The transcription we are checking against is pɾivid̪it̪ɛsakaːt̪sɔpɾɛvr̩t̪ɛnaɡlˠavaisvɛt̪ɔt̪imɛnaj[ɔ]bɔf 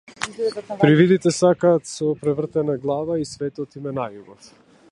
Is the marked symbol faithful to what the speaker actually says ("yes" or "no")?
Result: no